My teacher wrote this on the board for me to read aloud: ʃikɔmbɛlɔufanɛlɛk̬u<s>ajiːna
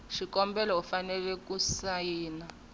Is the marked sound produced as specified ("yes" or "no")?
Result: yes